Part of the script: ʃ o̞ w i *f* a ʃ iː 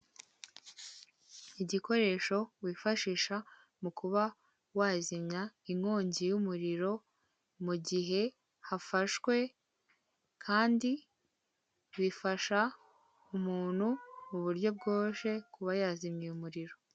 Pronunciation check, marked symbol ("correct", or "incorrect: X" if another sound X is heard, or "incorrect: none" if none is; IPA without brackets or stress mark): correct